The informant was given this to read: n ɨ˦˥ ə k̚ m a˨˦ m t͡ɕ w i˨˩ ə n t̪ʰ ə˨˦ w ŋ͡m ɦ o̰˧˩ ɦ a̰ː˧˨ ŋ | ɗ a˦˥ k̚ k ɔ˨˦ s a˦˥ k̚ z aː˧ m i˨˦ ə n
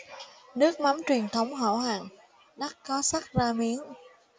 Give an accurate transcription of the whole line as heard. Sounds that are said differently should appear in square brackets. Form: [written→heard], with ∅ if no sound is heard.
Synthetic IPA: n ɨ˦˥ ə k̚ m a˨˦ m t͡ɕ w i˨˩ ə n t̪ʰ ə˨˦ w ŋ͡m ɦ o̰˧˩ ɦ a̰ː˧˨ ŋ | ɗ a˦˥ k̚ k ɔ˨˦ s a˦˥ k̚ z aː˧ m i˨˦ ə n

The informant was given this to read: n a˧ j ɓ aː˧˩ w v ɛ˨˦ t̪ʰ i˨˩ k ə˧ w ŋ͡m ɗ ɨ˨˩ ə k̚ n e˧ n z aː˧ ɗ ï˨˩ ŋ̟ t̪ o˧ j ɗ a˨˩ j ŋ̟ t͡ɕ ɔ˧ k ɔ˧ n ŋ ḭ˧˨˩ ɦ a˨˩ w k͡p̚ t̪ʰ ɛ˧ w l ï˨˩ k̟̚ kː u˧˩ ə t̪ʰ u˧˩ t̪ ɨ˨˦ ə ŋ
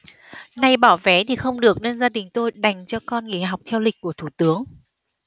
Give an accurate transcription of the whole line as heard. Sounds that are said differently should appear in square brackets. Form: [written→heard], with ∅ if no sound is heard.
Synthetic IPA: n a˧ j ɓ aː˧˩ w v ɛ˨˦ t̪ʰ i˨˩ [k→x] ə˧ w ŋ͡m ɗ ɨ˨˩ ə k̚ n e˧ n z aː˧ ɗ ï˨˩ ŋ̟ t̪ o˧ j ɗ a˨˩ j ŋ̟ t͡ɕ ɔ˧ k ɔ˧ n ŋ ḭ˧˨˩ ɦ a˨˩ w k͡p̚ t̪ʰ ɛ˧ w l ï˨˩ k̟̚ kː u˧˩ ə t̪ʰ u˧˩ t̪ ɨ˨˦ ə ŋ

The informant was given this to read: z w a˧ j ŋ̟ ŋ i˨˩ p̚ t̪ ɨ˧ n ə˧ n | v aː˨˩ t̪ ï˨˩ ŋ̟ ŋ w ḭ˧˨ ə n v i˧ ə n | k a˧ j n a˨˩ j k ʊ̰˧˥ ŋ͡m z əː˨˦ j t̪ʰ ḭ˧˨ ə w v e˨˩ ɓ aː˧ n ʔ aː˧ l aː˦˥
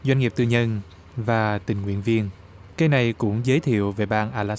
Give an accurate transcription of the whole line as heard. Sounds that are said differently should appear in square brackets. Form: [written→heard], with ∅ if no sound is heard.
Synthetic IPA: z w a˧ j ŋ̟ ŋ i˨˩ p̚ t̪ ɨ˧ [n→ɲ] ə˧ n | v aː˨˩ t̪ ï˨˩ ŋ̟ ŋ w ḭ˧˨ ə n v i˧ ə n | k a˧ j n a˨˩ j k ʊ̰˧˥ ŋ͡m z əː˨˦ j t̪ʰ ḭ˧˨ ə w v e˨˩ ɓ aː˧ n ʔ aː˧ l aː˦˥

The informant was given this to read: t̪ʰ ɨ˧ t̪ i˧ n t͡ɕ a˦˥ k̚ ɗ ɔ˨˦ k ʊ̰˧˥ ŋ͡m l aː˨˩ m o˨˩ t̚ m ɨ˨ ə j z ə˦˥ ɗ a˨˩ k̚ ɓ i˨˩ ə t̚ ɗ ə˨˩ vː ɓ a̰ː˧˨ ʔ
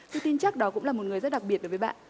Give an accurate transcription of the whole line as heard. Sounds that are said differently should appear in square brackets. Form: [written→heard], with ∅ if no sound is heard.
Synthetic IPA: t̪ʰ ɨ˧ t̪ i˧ n t͡ɕ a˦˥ k̚ ɗ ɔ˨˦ k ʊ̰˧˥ ŋ͡m l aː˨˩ m o˨˩ t̚ [m→ŋ] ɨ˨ ə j z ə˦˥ ɗ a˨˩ k̚ ɓ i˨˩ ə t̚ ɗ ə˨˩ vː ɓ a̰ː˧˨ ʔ

